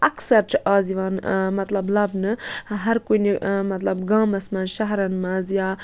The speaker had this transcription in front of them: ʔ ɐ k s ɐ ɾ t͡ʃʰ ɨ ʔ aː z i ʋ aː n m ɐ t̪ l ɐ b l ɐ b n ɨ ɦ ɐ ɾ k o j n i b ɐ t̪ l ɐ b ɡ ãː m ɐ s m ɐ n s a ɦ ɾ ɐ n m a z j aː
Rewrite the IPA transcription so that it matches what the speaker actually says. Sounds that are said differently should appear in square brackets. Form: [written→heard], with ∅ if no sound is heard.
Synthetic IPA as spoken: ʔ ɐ k s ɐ ɾ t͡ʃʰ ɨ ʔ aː z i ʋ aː n m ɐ t̪ l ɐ b l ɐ b n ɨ ɦ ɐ ɾ k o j n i [b→m] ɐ t̪ l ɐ b ɡ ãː m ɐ s m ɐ n [s→ʃ] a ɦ ɾ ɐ n m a z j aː